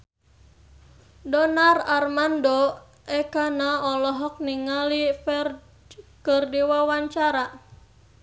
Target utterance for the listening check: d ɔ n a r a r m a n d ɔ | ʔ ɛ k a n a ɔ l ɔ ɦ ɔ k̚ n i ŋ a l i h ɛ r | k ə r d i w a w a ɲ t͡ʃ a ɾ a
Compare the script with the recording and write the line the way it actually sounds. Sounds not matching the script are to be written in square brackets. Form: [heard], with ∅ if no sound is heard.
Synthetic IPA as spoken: d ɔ n a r a r m a n d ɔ | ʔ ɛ k a n a ɔ l ɔ ɦ ɔ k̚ n i ŋ a l i [f] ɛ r | k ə r d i w a w a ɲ t͡ʃ a ɾ a